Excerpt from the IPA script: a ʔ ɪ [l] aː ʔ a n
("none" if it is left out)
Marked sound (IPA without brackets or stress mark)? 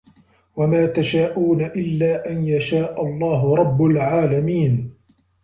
lː